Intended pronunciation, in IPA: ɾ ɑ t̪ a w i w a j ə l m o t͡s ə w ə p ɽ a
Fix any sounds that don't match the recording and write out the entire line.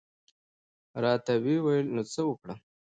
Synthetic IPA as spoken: ɾ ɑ t̪ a w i w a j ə l n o t͡s ə w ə k ɽ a

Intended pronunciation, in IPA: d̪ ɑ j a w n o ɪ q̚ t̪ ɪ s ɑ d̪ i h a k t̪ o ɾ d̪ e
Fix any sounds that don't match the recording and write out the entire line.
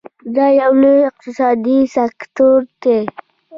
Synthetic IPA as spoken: d̪ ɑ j a w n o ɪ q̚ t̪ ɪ s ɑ d̪ i s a k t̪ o ɾ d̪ e

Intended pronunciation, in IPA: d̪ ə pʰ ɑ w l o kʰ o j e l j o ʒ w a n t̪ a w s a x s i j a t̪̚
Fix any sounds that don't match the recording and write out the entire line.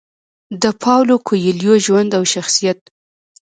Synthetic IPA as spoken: d̪ ə pʰ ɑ w l o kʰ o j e l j o ʒ w a n d̪ a w ʃ a x s i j a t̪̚

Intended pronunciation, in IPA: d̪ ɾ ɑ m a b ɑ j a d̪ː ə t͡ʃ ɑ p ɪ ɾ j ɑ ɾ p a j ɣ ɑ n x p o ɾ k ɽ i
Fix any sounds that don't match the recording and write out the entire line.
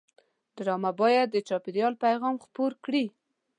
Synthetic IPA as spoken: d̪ ɾ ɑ m a b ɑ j a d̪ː ə t͡ʃ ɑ p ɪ ɾ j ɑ l p a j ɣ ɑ m x p o ɾ k ɽ i

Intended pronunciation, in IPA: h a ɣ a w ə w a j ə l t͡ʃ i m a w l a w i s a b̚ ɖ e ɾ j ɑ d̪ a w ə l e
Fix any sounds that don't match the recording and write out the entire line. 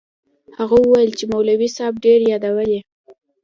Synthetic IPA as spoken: h a ɣ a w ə w a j ə l t͡ʃ e m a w l a w i s ɑ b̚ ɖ e ɾ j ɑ d̪ a w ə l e

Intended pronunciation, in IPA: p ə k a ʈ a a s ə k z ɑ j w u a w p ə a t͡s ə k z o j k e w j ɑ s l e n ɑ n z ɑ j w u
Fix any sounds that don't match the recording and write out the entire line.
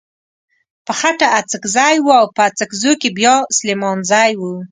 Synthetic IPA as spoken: p ə x a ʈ a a t͡s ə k z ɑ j w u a w p ə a t͡s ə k z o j k e b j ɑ s l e m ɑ n z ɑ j w u

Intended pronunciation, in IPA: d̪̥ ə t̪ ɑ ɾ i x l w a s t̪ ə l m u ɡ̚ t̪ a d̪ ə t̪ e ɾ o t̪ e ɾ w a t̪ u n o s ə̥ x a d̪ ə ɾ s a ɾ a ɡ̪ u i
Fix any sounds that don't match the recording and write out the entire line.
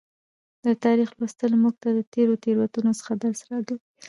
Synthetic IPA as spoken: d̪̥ ə t̪ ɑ ɾ i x l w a s t̪ ə l m u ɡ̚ t̪ a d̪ ə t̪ e ɾ o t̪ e ɾ w a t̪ u n o s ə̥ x a d̪ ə ɾ s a ɾ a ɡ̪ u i

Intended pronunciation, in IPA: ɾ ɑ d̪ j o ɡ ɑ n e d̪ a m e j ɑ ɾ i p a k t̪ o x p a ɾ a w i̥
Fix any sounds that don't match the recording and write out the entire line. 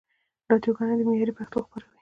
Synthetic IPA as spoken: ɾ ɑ d̪ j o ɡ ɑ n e d̪ ə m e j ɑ ɾ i p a x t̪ o x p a ɾ a w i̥

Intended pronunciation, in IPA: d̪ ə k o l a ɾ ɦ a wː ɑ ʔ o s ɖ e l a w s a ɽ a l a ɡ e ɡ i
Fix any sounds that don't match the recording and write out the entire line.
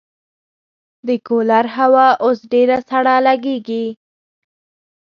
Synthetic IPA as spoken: d̪ ə k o l a ɾ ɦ a w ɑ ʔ o s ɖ e ɾ a s a ɽ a l a ɡ e ɡ i

